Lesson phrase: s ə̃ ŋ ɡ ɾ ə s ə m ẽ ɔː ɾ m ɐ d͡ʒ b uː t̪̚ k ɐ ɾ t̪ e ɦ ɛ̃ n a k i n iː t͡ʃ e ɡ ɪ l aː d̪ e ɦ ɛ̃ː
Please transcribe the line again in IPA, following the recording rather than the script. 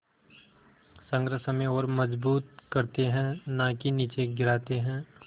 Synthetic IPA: s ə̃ ŋ ɡ ɾ ə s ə m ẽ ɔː ɾ m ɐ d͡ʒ b uː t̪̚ k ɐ ɾ t̪ e ɦ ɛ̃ n a k i n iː t͡ʃ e ɡ ɪ ɾ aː t̪ e ɦ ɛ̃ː